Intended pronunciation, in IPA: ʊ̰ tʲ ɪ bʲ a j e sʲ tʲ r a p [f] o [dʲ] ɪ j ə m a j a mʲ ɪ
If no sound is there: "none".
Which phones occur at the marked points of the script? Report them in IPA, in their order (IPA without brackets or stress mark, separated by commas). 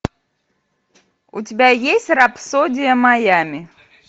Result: s, dʲ